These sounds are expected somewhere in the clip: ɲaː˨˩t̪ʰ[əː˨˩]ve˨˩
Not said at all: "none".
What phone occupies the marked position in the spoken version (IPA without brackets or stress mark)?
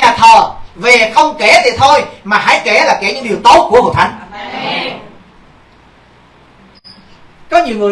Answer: əː˨˩